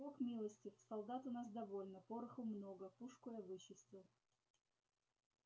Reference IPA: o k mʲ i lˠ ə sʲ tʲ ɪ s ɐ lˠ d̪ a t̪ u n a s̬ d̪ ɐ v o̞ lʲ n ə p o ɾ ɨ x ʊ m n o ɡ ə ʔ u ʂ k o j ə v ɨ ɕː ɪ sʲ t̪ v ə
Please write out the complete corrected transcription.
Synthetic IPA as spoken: o k mʲ i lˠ ə sʲ tʲ ɪ s ɐ lˠ d̪ a t̪ ʊ n a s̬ d̪ ɐ v o̞ lʲ n ə p o ɾ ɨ x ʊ m n o ɡ ə p u ʂ k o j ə v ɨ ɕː ɪ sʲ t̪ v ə